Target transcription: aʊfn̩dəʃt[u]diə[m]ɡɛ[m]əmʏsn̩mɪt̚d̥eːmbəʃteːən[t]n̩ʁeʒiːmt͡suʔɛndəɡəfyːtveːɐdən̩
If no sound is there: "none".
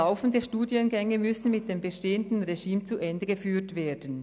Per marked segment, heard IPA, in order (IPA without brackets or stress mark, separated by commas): uː, n, ŋ, d